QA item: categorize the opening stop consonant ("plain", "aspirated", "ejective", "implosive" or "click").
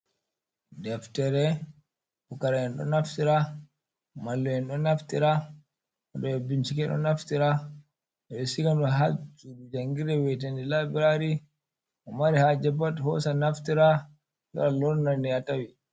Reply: plain